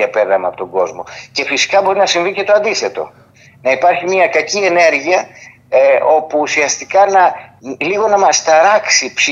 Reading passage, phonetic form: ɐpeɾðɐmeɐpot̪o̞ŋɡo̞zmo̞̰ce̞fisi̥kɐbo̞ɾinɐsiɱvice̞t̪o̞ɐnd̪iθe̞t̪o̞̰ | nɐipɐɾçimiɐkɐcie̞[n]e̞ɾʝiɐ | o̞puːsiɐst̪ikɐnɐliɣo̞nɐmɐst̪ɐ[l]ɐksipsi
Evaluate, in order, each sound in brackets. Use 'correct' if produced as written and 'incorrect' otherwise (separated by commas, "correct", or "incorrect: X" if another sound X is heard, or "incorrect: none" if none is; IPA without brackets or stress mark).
correct, incorrect: ɾ